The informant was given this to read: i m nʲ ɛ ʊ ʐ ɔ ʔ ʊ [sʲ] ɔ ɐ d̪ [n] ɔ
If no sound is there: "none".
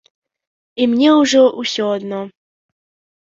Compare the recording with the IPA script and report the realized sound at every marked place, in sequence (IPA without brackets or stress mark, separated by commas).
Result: sʲ, n